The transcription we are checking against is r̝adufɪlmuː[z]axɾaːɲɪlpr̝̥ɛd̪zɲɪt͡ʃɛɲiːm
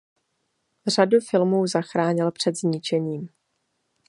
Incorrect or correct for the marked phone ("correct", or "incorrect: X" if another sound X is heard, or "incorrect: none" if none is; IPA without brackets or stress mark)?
correct